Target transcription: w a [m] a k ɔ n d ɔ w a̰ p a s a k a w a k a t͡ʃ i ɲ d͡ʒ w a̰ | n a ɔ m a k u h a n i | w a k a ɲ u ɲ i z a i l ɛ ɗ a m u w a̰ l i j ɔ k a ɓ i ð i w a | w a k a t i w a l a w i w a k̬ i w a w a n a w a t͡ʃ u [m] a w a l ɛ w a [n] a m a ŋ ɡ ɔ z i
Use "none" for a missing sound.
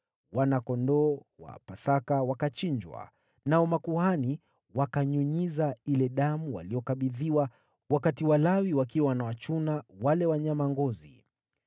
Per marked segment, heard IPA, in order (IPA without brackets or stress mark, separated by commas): n, n, ɲ